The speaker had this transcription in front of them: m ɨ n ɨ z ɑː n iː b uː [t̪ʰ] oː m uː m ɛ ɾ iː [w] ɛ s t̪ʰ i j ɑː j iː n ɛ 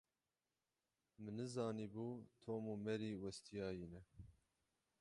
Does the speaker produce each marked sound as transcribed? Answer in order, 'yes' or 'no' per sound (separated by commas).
yes, yes